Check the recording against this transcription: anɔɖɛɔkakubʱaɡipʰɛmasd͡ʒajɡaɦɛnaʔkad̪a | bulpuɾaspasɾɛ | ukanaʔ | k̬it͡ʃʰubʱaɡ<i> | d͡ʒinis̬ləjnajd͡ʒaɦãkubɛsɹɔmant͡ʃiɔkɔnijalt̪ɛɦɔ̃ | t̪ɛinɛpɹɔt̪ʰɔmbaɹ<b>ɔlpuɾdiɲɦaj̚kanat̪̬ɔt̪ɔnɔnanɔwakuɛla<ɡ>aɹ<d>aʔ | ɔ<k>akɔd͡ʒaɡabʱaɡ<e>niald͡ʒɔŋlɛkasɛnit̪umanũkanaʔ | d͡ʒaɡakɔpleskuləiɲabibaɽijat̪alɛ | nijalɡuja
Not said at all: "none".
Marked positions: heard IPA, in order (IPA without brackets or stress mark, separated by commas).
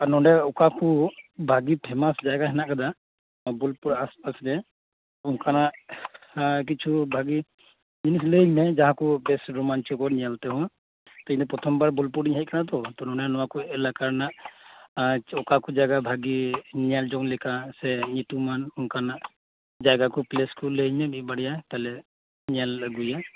i, b, k, n, k, i